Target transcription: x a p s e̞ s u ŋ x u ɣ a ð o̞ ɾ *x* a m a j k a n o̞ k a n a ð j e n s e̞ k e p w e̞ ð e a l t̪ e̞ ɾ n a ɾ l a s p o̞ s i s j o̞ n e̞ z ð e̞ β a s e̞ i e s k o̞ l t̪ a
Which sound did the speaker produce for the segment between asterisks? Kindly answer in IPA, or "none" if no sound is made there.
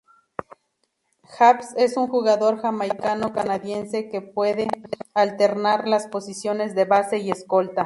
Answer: x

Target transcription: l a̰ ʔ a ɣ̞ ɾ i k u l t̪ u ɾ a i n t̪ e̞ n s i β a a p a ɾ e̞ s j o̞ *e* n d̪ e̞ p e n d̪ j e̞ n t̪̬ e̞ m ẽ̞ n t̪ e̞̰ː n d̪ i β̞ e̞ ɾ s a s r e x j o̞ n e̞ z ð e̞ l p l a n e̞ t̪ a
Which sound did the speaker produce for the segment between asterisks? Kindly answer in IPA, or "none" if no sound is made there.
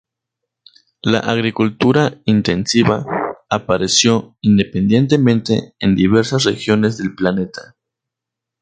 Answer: i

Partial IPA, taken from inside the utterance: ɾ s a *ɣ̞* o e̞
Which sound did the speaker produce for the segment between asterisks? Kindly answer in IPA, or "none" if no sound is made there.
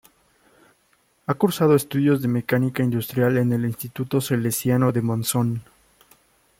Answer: ð̞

